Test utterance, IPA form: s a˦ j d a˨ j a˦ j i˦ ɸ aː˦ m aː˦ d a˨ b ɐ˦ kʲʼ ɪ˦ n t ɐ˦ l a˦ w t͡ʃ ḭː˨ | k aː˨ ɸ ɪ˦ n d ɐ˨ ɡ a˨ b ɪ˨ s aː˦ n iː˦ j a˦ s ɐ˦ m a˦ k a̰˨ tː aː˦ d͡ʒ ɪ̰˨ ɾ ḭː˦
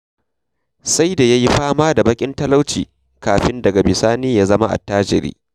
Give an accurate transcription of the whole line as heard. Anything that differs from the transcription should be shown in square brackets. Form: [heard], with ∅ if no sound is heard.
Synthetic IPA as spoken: s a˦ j d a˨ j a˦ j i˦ ɸ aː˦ m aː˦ d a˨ b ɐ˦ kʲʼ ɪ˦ n t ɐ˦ l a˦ w t͡ʃ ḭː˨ | k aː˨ ɸ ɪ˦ n d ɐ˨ ɡ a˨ b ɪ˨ s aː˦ n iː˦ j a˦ [z] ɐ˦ m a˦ [ʔ] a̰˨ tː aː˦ d͡ʒ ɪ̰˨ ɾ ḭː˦